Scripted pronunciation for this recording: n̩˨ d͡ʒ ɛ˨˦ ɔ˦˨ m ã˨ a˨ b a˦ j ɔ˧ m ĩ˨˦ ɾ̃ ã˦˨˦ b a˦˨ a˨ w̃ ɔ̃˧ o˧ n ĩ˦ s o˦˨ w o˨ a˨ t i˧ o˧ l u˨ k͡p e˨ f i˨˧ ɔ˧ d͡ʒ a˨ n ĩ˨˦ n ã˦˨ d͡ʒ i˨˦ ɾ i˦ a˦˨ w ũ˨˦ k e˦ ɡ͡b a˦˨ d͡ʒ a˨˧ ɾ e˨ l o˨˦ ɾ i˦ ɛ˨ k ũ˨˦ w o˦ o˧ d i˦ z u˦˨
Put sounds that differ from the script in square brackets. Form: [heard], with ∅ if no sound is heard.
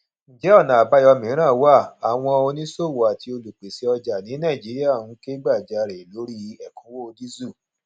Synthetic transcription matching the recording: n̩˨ d͡ʒ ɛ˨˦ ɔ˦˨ [n] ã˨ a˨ b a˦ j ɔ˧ m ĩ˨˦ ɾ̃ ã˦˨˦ [w] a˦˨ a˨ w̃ ɔ̃˧ o˧ n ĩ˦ s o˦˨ w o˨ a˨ t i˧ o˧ l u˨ k͡p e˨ [s] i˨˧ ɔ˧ d͡ʒ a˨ n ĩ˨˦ n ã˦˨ d͡ʒ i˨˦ ɾ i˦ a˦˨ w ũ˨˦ k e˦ ɡ͡b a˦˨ d͡ʒ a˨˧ ɾ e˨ l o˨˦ ɾ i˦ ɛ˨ k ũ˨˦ w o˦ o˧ d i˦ z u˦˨